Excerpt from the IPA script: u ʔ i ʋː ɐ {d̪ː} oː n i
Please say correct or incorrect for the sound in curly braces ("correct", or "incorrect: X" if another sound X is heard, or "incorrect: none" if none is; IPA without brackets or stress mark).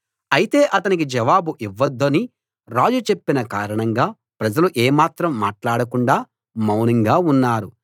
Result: correct